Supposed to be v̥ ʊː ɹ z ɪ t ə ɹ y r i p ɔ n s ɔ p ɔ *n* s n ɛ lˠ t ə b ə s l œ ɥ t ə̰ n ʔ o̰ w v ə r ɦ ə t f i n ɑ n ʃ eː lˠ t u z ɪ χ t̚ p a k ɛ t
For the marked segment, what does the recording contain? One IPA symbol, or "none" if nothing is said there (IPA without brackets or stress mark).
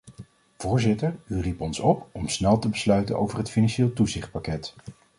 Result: m